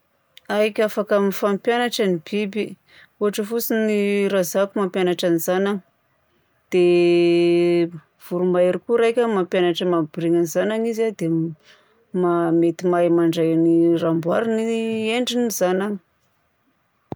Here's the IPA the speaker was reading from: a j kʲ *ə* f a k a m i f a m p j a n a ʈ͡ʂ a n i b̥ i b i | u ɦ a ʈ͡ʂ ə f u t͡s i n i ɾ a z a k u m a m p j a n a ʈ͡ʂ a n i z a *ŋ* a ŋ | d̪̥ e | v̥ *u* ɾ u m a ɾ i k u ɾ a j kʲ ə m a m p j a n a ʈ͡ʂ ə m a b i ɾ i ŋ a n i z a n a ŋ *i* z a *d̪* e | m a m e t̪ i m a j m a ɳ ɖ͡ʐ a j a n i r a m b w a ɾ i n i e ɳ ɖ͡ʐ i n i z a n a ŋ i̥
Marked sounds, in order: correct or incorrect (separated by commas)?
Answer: incorrect, incorrect, correct, correct, correct